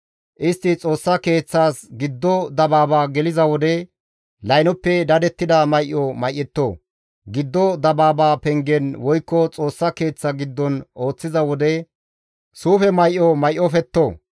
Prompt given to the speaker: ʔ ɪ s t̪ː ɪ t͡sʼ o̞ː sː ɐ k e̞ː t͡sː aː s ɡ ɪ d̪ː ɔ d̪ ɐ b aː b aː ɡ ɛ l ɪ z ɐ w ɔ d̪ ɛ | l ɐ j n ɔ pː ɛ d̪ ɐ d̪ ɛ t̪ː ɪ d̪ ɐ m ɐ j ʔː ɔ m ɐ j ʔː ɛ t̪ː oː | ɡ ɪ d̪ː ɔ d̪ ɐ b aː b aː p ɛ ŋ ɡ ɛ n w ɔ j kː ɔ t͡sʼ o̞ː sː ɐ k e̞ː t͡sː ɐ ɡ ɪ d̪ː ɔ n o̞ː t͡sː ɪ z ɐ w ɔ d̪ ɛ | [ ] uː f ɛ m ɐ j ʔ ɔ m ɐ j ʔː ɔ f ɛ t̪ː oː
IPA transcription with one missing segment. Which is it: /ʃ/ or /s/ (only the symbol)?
s